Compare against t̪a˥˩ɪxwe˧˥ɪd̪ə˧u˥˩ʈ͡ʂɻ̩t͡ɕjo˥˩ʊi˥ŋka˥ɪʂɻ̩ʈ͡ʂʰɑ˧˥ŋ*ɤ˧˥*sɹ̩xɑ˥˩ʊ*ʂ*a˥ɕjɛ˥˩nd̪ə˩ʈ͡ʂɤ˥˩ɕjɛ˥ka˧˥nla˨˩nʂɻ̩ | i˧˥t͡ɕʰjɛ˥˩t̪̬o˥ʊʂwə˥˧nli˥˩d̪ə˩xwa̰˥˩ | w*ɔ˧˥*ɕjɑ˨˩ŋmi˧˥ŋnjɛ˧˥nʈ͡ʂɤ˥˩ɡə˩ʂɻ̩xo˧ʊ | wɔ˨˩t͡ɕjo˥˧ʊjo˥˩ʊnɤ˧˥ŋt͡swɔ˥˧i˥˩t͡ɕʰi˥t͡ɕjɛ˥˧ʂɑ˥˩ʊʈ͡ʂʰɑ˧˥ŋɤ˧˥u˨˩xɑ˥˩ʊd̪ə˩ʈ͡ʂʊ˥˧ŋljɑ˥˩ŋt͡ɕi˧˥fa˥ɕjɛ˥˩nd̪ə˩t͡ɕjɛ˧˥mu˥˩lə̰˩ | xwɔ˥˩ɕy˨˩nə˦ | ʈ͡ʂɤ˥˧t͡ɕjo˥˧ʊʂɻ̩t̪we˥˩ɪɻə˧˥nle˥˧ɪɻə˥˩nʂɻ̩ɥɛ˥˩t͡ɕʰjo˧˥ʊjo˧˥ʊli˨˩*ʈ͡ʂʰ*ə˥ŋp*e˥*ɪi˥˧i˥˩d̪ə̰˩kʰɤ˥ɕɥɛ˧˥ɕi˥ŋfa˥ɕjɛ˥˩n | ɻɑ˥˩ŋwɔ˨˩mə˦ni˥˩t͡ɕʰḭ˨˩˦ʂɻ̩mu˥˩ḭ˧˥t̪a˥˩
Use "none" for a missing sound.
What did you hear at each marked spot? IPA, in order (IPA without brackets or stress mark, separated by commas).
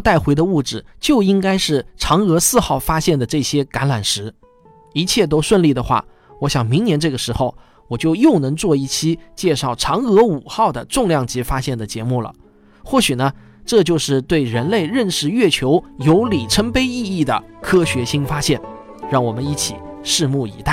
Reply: ɤ˧˥, f, ɔ˧˥, ʈ͡ʂʰ, e˥